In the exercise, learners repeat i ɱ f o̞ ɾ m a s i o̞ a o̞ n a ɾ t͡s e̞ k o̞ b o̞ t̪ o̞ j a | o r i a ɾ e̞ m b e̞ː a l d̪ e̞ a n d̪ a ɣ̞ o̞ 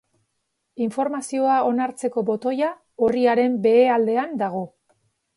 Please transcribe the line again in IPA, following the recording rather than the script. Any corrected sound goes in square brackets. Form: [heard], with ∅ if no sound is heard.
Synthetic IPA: i ɱ f o̞ ɾ m a s i o̞ a o̞ n a ɾ t͡s e̞ k o̞ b o̞ t̪ o̞ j a | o r i a ɾ e̞ m b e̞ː a l d̪ e̞ a n d̪ a ɣ̞ o̞